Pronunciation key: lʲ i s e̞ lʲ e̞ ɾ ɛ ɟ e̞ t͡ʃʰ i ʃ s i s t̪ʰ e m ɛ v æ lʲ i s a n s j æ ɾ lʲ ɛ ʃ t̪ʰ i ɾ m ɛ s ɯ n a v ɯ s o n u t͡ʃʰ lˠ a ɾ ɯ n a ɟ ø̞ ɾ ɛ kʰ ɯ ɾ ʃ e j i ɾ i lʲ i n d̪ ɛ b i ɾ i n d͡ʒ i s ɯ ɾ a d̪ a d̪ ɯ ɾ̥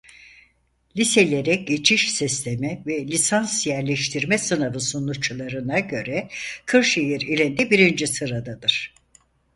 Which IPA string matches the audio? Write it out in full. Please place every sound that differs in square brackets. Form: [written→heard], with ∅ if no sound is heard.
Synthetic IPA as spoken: lʲ i s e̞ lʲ e̞ ɾ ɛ ɟ e̞ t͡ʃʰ i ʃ s i s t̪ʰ e m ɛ v [æ→ɛ] lʲ i s a n s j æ ɾ lʲ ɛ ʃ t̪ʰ i ɾ m ɛ s ɯ n a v ɯ s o n u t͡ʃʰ lˠ a ɾ ɯ n a ɟ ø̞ ɾ ɛ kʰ ɯ ɾ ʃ e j i ɾ i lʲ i n d̪ ɛ b i ɾ i n d͡ʒ i s ɯ ɾ a d̪ a d̪ ɯ ɾ̥